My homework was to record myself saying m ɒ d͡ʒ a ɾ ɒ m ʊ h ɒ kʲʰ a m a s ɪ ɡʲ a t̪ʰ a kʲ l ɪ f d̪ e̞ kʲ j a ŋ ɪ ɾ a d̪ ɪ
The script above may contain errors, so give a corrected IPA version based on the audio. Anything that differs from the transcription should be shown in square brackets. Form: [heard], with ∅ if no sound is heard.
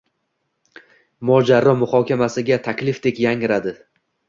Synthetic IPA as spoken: m ɒ d͡ʒ a ɾ ɒ m ʊ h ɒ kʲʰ a m a s ɪ ɡʲ a t̪ʰ a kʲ l ɪ f d̪ e̞ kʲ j a ŋ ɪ ɾ a d̪ ɪ

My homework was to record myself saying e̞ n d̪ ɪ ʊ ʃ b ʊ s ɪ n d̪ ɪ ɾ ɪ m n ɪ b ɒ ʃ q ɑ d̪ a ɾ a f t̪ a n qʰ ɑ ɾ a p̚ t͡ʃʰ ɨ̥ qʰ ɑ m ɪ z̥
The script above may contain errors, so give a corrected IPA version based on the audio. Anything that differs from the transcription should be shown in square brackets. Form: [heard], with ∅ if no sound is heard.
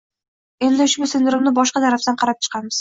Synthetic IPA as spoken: e̞ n d̪ ɪ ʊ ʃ b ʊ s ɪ n d̪ ɪ ɾ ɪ m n ɪ b ɒ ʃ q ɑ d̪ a ɾ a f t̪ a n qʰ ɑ ɾ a p̚ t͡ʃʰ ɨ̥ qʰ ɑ m ɪ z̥

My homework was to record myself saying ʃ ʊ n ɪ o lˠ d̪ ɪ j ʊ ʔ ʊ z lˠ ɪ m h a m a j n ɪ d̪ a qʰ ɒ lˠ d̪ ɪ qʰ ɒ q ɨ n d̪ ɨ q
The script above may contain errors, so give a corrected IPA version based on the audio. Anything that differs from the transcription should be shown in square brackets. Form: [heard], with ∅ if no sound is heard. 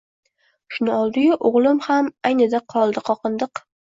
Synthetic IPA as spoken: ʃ ʊ n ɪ [ɒ] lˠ d̪ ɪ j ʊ ʔ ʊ [ʁ] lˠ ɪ m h a m a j n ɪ d̪ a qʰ ɒ lˠ d̪ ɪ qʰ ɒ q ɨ n d̪ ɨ q

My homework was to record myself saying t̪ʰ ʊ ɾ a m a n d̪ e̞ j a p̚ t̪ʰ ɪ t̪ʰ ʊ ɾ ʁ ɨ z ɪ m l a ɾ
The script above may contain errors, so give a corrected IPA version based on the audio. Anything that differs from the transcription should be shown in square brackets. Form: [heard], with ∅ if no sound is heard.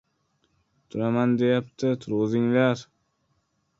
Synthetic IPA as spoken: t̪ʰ ʊ ɾ a m a n d̪ e̞ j a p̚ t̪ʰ ɪ t̪ʰ ʊ ɾ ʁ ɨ z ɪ [ŋ] l a ɾ

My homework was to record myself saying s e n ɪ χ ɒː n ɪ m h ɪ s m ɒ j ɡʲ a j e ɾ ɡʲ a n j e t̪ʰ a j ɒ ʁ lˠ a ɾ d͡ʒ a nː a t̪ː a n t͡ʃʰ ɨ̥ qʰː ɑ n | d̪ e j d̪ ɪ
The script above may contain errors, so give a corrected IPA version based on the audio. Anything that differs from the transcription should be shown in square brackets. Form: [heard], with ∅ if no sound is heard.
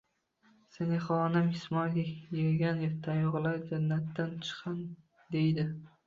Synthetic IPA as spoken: s e n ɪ χ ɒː n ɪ m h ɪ s m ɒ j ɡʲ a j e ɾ ɡʲ a n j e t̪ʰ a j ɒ ʁ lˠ a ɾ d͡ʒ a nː a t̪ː a n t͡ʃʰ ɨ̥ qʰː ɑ n | d̪ e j d̪ ɪ

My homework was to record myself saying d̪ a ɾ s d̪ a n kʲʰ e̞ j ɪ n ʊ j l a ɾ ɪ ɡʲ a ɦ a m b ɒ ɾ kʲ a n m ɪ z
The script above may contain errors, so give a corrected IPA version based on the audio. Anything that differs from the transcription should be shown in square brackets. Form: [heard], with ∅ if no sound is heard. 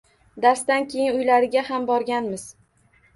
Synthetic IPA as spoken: d̪ a ɾ s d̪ a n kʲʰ e̞ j ɪ n ʊ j l a ɾ ɪ ɡʲ a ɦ a m b ɒ ɾ [ɡʲ] a n m ɪ z

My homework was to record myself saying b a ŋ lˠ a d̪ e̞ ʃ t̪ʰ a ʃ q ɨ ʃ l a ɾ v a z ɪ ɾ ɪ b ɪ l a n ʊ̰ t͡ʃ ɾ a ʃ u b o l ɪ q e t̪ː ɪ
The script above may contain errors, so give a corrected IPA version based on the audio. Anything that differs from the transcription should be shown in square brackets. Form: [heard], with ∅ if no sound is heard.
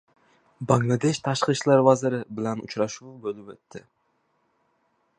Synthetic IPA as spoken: b a ŋ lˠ a d̪ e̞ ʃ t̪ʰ a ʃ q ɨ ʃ l a ɾ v a z ɪ ɾ ɪ b ɪ l a n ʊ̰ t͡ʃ ɾ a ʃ u b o l ɪ [p] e t̪ː ɪ

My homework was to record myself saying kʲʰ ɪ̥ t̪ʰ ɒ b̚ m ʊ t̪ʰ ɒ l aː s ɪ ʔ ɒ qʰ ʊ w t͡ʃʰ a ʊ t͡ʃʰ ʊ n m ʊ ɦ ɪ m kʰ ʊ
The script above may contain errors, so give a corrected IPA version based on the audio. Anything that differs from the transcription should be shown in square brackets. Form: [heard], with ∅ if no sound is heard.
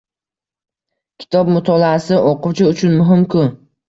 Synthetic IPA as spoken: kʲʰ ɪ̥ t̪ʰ ɒ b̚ m ʊ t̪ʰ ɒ l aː s ɪ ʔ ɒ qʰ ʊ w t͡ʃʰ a ʊ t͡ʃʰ ʊ n m ʊ ɦ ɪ m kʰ ʊ

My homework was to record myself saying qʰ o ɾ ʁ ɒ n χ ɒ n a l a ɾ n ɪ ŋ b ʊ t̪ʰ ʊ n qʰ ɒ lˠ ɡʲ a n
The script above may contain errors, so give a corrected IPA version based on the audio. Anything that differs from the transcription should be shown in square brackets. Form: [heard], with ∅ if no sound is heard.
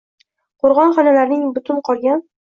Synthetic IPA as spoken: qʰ o ɾ ʁ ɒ n χ ɒ n a l a ɾ n ɪ ŋ b ʊ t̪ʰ ʊ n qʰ ɒ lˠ ɡʲ a n

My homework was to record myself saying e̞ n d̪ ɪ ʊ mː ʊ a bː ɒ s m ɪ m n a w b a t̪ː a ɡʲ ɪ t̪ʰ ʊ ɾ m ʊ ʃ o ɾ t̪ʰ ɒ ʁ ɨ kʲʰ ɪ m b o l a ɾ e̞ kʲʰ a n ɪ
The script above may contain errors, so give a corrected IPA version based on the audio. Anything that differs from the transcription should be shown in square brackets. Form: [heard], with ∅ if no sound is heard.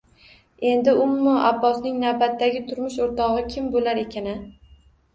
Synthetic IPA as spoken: e̞ n d̪ ɪ ʊ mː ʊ a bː ɒ s [n] ɪ [ŋ] n a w b a t̪ː a ɡʲ ɪ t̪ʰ ʊ ɾ m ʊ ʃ o ɾ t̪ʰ ɒ ʁ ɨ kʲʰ ɪ m b o l a ɾ e̞ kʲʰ a n ɪ

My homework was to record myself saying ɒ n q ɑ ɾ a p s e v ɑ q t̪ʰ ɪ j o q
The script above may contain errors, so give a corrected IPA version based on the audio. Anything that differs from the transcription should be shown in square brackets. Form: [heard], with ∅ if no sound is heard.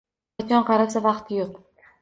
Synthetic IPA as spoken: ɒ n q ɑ ɾ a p s [a] v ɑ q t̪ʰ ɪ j o q

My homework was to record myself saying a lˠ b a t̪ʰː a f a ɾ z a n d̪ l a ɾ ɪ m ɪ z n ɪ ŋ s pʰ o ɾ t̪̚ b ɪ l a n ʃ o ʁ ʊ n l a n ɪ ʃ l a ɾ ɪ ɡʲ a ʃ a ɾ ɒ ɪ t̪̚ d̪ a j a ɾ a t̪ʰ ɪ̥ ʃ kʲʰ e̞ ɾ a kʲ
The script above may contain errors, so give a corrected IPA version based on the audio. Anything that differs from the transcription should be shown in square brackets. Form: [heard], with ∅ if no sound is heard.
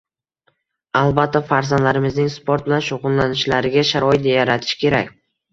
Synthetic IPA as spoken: a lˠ b a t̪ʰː a f a ɾ z a n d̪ l a ɾ ɪ m ɪ z n ɪ ŋ s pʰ o ɾ t̪̚ b ɪ l a n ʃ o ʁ ʊ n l a n ɪ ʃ l a ɾ ɪ ɡʲ a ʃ a ɾ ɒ ɪ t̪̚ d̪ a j a ɾ a t̪ʰ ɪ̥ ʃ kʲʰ e̞ ɾ a kʲ

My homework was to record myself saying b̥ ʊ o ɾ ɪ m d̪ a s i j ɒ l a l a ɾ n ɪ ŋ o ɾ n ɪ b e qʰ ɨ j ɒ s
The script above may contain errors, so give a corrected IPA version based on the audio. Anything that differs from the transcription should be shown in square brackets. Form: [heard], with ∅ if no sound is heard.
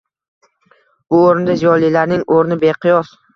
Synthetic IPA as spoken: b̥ ʊ o ɾ ɪ [n] d̪ a [z] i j ɒ l [i] l a ɾ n ɪ ŋ o ɾ n ɪ b e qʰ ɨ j ɒ s

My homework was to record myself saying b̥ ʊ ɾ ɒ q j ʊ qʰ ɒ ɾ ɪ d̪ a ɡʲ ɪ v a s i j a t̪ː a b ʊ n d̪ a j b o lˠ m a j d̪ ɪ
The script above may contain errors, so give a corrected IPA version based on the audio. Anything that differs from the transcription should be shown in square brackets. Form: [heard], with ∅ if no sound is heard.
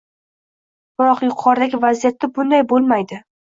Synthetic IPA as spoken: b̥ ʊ ɾ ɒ q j ʊ qʰ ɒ ɾ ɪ d̪ a ɡʲ ɪ v a [z] i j a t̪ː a b ʊ n d̪ a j b o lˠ m a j d̪ ɪ

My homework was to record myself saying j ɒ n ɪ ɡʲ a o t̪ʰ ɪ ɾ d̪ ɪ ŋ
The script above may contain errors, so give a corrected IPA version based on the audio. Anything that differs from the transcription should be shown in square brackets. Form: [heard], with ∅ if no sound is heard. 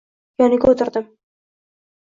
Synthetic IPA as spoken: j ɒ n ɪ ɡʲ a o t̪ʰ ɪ ɾ d̪ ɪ [m]

